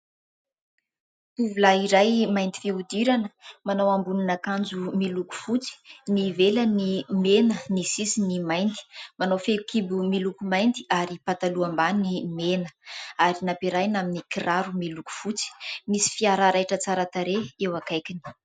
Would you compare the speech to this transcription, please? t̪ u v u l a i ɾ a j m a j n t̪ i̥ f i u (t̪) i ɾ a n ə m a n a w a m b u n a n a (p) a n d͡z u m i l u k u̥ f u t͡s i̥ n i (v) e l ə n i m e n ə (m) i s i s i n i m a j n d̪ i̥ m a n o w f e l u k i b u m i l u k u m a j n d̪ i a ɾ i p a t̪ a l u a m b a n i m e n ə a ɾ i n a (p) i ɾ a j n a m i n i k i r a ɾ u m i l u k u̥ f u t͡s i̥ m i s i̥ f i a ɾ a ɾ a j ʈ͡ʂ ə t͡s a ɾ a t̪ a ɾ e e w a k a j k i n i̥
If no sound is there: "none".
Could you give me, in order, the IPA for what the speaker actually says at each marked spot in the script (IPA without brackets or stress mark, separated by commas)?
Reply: d̪, k, v, n, p